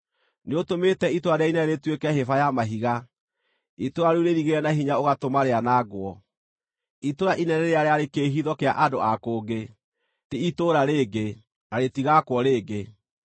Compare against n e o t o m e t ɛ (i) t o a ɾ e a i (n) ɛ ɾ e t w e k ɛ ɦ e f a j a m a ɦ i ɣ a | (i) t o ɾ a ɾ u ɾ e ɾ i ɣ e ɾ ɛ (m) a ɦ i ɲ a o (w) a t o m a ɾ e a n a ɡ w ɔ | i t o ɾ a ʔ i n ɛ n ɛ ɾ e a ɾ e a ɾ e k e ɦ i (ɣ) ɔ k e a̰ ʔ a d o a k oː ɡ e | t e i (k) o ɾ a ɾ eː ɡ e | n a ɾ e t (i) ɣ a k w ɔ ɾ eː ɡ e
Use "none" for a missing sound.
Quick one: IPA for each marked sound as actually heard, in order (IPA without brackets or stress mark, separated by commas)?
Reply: i, n, i, n, ɣ, ð, t, i